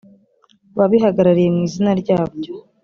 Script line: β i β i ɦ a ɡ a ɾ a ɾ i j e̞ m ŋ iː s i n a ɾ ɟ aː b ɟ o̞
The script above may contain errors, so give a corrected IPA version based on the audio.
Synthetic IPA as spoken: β a β i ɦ a ɡ a ɾ a ɾ i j e̞ m ŋ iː z i n a ɾ ɟ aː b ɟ o̞